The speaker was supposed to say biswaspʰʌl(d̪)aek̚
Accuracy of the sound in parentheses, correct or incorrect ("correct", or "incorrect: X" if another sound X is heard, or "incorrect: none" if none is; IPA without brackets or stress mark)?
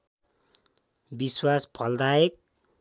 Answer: correct